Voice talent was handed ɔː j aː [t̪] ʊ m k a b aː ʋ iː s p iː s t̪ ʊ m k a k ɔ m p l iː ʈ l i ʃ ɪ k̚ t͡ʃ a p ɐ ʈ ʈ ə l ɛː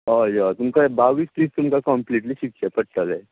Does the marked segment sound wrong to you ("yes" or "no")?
no